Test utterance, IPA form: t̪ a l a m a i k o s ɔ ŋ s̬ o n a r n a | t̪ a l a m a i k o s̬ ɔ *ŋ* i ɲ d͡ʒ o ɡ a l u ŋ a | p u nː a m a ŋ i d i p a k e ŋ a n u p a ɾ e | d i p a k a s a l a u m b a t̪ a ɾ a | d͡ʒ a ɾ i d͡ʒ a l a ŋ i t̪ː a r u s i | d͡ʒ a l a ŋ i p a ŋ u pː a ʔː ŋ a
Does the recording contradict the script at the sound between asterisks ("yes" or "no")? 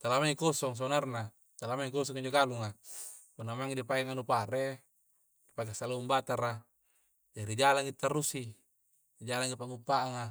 no